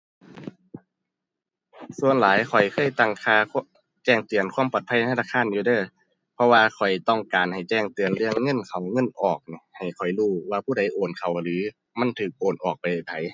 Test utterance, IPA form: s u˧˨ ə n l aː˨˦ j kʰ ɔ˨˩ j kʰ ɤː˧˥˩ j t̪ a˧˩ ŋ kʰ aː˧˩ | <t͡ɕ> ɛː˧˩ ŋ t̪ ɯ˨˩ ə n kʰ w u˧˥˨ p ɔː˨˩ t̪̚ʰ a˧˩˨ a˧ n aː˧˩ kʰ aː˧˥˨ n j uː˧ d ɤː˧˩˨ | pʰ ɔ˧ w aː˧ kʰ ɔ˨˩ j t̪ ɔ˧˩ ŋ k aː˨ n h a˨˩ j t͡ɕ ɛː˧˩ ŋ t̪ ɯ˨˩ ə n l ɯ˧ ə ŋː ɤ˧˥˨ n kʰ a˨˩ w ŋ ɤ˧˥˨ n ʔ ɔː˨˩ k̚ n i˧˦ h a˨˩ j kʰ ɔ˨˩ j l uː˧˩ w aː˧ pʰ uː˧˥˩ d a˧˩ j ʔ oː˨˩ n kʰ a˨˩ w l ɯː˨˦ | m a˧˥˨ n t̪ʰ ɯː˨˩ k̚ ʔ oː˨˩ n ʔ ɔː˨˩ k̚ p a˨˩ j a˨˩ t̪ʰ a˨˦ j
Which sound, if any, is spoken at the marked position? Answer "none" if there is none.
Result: t͡ɕ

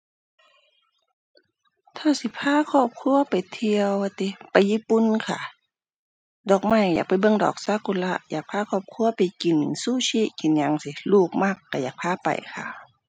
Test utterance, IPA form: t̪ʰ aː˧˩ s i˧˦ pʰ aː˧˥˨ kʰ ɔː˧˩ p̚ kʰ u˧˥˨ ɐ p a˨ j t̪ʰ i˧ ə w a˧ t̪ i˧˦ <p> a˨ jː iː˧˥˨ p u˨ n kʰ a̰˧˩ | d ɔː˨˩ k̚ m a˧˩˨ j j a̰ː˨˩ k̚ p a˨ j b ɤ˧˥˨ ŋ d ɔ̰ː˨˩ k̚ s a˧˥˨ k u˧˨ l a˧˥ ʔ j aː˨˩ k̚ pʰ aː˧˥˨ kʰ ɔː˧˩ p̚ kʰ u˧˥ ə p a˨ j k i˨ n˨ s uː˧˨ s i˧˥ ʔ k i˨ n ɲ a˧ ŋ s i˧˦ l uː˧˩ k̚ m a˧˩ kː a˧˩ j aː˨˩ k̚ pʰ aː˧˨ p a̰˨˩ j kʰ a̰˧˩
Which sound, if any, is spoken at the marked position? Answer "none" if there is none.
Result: p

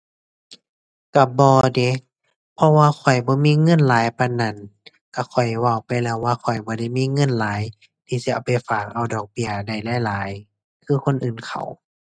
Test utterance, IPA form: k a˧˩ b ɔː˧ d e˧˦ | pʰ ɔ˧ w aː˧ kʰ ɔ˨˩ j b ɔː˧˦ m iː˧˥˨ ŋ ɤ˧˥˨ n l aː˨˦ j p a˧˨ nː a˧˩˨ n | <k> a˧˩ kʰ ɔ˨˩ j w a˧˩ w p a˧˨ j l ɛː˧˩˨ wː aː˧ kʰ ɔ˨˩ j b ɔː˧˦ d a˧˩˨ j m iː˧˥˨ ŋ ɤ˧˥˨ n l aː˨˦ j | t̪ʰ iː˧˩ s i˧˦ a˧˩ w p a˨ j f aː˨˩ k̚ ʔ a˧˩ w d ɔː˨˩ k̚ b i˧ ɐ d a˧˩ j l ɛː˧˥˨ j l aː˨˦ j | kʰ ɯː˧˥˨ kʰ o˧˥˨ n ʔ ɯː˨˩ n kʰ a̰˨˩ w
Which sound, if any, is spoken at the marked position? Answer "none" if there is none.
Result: k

